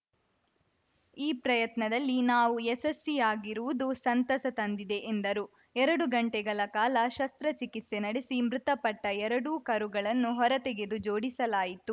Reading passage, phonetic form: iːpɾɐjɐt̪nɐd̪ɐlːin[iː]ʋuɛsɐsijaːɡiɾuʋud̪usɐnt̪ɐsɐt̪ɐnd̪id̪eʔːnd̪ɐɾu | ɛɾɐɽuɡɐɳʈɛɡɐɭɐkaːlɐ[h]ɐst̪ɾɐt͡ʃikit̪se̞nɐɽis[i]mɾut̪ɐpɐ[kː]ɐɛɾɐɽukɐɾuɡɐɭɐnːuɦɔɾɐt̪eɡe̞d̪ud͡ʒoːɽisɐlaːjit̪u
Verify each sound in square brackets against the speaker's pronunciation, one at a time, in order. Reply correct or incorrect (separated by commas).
incorrect, incorrect, correct, incorrect